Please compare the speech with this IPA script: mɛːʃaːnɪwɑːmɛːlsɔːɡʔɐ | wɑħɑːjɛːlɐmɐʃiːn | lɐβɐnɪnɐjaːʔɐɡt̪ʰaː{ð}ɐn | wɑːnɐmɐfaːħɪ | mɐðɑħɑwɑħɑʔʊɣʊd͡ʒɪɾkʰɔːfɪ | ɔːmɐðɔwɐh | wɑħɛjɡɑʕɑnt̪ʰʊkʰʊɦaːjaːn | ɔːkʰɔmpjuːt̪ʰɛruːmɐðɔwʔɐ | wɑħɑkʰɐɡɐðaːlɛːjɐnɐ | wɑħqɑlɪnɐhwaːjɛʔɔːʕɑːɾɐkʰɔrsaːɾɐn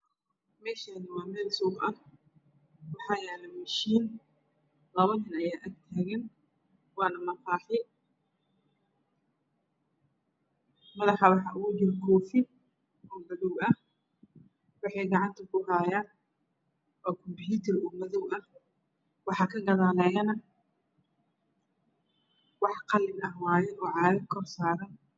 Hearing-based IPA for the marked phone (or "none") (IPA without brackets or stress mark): ɣ